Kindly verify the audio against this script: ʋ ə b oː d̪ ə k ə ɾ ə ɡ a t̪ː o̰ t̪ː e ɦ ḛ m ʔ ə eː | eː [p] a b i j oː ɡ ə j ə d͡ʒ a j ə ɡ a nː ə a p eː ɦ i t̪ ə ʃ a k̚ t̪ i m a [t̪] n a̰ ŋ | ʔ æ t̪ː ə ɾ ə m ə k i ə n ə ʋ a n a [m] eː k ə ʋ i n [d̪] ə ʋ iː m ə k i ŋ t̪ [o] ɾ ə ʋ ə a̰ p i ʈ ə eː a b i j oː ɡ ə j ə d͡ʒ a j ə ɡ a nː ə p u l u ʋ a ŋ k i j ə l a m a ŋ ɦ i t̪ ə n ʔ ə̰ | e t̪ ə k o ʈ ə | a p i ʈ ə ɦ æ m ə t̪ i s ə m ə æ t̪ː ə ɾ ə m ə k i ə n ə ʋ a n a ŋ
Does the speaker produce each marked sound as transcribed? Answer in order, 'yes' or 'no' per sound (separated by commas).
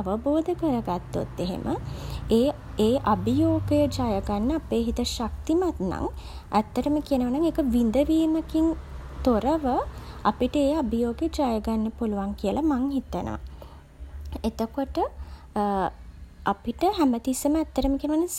no, yes, no, yes, yes